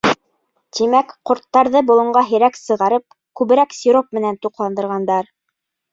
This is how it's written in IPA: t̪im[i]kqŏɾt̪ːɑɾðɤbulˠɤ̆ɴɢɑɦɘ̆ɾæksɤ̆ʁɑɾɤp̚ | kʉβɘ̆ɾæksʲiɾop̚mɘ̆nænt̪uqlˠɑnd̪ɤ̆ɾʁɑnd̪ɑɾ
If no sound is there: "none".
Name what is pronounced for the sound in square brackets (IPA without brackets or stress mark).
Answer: æ